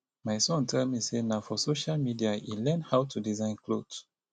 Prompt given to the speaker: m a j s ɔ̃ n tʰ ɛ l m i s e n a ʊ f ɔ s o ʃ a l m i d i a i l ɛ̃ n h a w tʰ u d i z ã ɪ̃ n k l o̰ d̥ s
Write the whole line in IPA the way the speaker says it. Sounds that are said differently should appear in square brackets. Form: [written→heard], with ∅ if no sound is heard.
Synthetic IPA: m a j s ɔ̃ n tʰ ɛ l m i s e n a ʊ f ɔ s o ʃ a l m i d i a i l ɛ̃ n h a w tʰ u d i z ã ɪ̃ n k l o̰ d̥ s